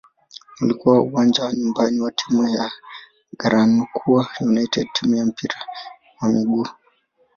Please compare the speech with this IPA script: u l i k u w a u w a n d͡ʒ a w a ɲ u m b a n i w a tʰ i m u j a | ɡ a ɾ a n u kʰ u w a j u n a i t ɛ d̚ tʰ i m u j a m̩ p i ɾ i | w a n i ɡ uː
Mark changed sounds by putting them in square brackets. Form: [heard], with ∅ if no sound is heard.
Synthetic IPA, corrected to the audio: u l i k u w a u w a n d͡ʒ a w a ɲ u m b a n i w a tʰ i m u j a | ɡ a ɾ a n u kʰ u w a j u n a i t ɛ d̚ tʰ i m u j a m̩ p i ɾ [a] | w a [m] i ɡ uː